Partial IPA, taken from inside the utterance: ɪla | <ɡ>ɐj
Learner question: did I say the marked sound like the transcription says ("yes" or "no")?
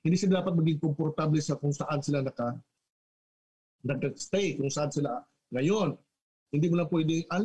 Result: no